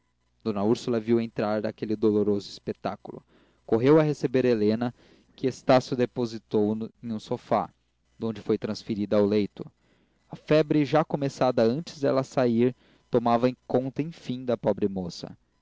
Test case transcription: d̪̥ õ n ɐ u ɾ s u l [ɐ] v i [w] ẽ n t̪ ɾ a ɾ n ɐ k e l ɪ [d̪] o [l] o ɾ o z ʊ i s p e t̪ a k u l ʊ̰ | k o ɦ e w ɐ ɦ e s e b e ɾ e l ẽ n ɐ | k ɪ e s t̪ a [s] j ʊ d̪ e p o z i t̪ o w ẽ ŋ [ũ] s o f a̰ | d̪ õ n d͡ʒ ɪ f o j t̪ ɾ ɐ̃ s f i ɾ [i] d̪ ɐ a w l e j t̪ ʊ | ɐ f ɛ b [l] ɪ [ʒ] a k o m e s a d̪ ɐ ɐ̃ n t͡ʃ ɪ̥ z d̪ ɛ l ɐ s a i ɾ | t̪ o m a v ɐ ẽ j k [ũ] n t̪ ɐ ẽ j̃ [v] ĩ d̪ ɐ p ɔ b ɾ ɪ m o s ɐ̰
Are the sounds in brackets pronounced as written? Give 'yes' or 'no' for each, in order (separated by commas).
yes, yes, yes, yes, yes, yes, yes, no, yes, no, no